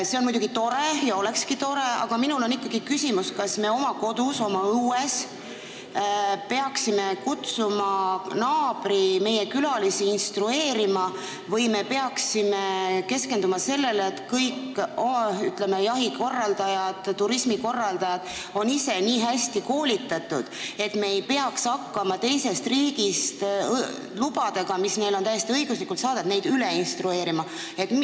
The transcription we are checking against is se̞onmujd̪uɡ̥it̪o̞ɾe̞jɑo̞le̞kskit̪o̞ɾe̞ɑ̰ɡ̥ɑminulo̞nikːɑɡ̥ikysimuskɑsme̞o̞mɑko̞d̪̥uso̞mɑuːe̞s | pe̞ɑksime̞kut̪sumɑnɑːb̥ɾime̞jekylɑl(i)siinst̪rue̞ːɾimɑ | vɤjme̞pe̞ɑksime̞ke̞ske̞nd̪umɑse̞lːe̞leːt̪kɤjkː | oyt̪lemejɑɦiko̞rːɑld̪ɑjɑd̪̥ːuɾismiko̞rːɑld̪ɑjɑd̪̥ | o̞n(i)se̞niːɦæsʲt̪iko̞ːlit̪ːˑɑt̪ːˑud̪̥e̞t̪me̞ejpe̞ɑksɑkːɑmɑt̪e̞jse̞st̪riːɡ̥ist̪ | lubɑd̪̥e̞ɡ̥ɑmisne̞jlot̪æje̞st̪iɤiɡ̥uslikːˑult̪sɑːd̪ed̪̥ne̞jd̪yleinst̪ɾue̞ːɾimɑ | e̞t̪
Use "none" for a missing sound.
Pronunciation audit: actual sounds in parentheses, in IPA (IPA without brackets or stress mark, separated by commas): i, i